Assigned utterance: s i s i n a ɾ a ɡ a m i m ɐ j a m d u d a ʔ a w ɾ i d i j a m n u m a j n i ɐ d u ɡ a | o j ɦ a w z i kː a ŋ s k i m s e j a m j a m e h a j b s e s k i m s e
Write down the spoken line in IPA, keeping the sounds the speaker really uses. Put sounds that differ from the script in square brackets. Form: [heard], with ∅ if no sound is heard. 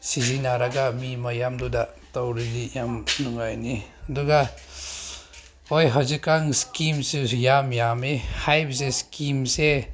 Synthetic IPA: s i [z] i n a ɾ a ɡ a m i m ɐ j a m d u d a [t] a w ɾ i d i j a m n u [ŋ] a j n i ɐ d u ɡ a | o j ɦ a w z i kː a ŋ s k i m s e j a m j a m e h a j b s e s k i m s e

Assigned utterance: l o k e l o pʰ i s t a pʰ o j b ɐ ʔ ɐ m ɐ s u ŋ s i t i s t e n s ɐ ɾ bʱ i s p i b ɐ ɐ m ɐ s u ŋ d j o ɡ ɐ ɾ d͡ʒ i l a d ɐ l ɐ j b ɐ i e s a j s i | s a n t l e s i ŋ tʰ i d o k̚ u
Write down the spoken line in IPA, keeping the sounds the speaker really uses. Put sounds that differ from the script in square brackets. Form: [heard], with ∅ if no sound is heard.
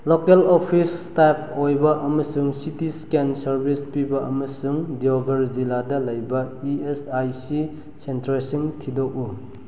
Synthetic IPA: l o k e l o pʰ i s t a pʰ o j b ɐ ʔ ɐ m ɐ s u ŋ s i t i s [k] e n s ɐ ɾ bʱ i s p i b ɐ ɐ m ɐ s u ŋ d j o ɡ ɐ ɾ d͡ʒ i l a d ɐ l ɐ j b ɐ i e s a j s i | s [e] n t [ɾ] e s i ŋ tʰ i d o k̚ u

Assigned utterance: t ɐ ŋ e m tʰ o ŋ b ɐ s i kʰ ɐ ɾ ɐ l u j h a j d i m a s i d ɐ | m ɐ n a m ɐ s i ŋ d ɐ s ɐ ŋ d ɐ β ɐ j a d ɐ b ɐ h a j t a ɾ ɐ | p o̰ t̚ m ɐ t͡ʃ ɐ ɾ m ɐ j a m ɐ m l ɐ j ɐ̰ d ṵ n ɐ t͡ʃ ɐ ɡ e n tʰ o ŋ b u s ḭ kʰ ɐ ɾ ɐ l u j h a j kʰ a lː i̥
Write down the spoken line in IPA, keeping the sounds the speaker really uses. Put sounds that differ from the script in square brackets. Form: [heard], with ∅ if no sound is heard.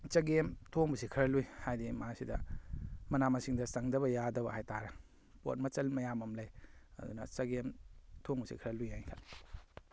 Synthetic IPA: [t͡ʃ] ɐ [ɡ] e m tʰ o ŋ b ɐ s i kʰ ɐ ɾ ɐ l u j h a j d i m a s i d ɐ | m ɐ n a m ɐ s i ŋ d ɐ s ɐ ŋ d ɐ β ɐ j a d ɐ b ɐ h a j t a ɾ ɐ | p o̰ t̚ m ɐ t͡ʃ ɐ [l] m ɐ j a m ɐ m l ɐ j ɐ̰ d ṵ n ɐ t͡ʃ ɐ ɡ e [m] tʰ o ŋ b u s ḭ kʰ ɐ ɾ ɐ l u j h a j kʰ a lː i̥

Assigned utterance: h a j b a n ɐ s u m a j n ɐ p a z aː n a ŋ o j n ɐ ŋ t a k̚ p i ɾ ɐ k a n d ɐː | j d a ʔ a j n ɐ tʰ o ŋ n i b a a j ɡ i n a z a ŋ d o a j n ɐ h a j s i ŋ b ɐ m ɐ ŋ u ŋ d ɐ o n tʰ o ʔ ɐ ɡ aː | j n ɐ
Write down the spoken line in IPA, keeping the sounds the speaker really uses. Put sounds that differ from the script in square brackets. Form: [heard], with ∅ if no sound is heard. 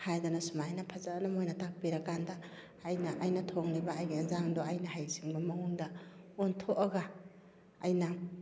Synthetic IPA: h a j [d] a n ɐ s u m a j n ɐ [pʰ] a z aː n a [m] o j n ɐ [∅] t a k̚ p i ɾ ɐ k a n d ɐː | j [n] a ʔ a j n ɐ tʰ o ŋ n i b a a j ɡ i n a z a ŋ d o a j n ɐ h a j s i ŋ b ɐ m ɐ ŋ u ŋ d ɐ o n tʰ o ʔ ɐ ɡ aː | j n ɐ

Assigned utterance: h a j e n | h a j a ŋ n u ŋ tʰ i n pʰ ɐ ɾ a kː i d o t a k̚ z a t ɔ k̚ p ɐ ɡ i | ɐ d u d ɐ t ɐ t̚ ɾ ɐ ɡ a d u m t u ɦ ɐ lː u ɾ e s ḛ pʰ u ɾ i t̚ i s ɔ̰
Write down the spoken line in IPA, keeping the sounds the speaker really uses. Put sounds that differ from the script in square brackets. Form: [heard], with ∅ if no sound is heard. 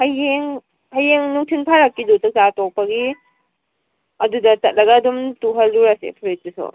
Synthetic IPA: h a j e [ŋ] | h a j [e] ŋ n u ŋ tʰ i n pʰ [a] ɾ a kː i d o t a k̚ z a t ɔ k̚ p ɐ ɡ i | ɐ d u d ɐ t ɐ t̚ [l] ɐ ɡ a d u m t u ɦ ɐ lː u ɾ [a] s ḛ pʰ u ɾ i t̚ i s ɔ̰

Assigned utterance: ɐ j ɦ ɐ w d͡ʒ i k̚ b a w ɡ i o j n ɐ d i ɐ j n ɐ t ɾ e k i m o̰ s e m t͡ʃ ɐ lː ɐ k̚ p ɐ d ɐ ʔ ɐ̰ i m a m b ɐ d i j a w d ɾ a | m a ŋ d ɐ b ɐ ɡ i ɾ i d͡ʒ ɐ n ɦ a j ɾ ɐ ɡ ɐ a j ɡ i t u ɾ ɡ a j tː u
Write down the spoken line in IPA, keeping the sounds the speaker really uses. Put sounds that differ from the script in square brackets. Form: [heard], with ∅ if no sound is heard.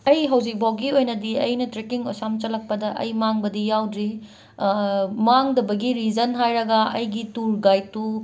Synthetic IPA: ɐ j ɦ ɐ w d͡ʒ i k̚ b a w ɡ i o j n ɐ d i ɐ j n ɐ t ɾ e k i [ŋ] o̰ s [a] m t͡ʃ ɐ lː ɐ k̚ p ɐ d ɐ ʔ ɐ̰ [j] m a [ŋ] b ɐ d i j a w d ɾ [i] | m a ŋ d ɐ b ɐ ɡ i ɾ i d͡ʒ ɐ n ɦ a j ɾ ɐ ɡ ɐ [ɐ] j ɡ i t u ɾ ɡ a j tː u

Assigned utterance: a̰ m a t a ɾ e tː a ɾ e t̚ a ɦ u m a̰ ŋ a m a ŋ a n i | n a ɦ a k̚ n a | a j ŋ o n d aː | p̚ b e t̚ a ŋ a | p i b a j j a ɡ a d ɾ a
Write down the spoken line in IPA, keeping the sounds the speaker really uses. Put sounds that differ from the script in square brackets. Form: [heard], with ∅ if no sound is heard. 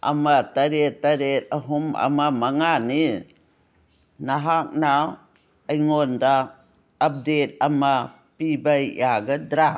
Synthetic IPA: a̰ m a t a ɾ e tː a ɾ e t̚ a ɦ u m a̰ [m] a m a ŋ a n i | n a ɦ a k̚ n a | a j ŋ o n d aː | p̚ [d] e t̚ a [m] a | p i b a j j a ɡ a d ɾ a

